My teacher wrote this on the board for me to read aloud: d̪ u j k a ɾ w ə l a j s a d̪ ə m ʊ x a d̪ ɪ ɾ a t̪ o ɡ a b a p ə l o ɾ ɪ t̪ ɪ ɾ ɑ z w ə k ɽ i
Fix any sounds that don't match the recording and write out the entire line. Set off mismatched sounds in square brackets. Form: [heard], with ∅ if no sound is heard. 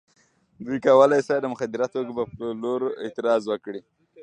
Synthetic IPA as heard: d̪ u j k a [∅] w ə l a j s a d̪ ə m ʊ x a d̪ ɪ ɾ a t̪ o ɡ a b a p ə l o ɾ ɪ t̪ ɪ ɾ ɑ z w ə k ɽ i